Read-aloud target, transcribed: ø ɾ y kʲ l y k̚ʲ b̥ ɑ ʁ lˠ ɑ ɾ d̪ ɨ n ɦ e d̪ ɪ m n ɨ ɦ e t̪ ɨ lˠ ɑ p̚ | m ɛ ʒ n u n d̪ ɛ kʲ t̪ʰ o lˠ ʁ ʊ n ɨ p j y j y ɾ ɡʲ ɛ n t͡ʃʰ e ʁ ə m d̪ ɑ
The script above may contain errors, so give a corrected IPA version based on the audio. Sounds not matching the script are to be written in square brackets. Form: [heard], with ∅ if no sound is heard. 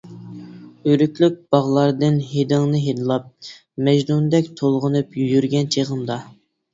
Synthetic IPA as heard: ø ɾ y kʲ l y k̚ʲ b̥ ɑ ʁ lˠ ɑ ɾ d̪ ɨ n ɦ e d̪ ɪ [ŋ] n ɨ ɦ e [d̪] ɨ lˠ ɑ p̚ | m ɛ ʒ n u n d̪ ɛ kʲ t̪ʰ o lˠ ʁ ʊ n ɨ p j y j y ɾ ɡʲ ɛ n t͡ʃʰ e ʁ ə m d̪ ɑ

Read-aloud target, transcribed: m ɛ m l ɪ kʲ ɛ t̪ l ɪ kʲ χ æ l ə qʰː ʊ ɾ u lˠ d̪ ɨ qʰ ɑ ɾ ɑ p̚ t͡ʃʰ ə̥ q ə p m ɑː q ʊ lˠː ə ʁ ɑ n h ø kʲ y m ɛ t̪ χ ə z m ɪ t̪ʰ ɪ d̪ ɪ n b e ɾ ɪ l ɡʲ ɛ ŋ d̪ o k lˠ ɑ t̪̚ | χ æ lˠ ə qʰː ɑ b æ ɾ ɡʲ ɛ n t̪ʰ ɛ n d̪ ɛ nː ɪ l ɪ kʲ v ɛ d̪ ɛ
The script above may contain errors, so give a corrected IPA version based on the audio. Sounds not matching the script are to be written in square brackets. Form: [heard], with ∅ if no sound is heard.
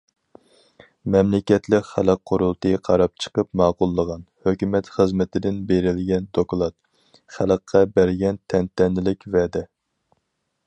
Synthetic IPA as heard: m ɛ m l ɪ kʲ ɛ t̪ l ɪ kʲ χ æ l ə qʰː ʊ ɾ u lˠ [t̪] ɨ qʰ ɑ ɾ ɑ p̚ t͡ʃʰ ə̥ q ə p m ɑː q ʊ lˠː ə ʁ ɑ n h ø kʲ y m ɛ t̪ χ ə z m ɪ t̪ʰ ɪ d̪ ɪ n b e ɾ ɪ l ɡʲ ɛ [n] d̪ o k lˠ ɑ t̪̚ | χ æ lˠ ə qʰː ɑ b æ ɾ ɡʲ ɛ n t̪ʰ ɛ n [t̪] ɛ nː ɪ l ɪ kʲ v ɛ d̪ ɛ

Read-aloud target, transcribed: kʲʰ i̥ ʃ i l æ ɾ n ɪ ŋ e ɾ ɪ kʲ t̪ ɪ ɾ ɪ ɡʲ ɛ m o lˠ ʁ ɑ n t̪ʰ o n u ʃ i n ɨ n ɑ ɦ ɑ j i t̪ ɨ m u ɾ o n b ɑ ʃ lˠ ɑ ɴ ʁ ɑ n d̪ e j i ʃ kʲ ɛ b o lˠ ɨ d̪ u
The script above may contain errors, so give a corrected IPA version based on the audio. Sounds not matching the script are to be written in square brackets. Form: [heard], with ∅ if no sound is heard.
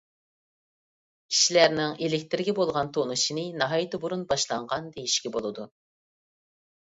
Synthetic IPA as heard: kʲʰ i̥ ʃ i l æ ɾ n ɪ ŋ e [l] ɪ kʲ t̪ ɪ ɾ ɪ ɡʲ ɛ [b] o lˠ ʁ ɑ n t̪ʰ o n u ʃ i n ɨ n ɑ ɦ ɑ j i t̪ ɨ [b] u ɾ [u] n b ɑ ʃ lˠ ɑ ɴ ʁ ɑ n d̪ e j i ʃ kʲ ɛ b o lˠ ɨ d̪ u

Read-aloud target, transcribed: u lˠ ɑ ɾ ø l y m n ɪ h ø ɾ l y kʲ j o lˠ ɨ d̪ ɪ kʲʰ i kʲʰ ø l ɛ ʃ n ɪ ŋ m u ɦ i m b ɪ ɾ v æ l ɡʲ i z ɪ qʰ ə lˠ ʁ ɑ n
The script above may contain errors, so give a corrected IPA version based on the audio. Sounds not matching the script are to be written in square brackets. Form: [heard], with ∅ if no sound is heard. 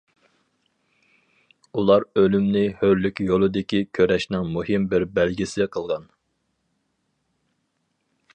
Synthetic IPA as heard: u lˠ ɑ ɾ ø l y m n ɪ h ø ɾ l y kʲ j o lˠ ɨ d̪ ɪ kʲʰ i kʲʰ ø [ɾ] ɛ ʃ n ɪ ŋ m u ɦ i m b ɪ ɾ [b] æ l ɡʲ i [s] ɪ qʰ ə lˠ ʁ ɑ n

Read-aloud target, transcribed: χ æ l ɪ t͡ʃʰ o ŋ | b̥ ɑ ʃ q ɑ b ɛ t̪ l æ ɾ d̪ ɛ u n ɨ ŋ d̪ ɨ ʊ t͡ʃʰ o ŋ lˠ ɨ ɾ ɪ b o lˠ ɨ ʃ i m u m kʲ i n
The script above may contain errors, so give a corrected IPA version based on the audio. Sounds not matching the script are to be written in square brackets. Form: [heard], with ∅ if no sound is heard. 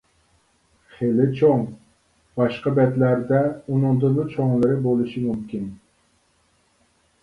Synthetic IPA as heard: χ [e] l ɪ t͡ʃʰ o ŋ | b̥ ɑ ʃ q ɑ b ɛ t̪ l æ ɾ d̪ ɛ u n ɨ ŋ d̪ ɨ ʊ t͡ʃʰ o ŋ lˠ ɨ ɾ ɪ b o lˠ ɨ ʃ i m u m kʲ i n

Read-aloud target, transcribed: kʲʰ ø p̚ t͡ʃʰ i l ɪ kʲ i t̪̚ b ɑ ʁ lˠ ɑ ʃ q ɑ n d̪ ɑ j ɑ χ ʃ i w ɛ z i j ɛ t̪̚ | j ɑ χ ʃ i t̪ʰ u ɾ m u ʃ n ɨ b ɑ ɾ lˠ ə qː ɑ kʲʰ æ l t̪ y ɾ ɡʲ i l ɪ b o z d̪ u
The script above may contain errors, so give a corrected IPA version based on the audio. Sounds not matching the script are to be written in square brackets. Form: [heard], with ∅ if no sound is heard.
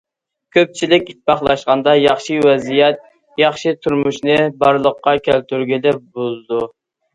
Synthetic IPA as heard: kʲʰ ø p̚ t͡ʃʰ i l ɪ kʲ i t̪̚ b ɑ [χ] lˠ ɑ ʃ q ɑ n d̪ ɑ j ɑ χ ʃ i w ɛ z i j ɛ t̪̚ | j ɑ χ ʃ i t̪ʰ u ɾ m u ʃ n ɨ b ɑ ɾ lˠ ə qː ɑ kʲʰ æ l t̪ y ɾ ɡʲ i l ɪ b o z d̪ u

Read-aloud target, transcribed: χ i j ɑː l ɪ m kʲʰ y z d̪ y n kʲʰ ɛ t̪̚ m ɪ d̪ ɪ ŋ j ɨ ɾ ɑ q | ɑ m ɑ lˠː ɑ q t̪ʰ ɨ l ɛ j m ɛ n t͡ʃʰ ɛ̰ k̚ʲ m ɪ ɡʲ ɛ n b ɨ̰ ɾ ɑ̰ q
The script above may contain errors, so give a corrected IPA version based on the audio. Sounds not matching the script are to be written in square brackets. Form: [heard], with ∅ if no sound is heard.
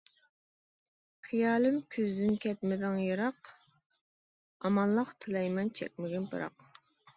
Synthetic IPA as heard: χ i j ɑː l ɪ m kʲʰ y z d̪ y n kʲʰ ɛ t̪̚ m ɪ d̪ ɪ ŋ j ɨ ɾ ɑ q | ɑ m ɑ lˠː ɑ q t̪ʰ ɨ l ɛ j m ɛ n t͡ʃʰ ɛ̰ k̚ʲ m ɪ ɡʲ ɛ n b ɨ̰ ɾ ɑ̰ q

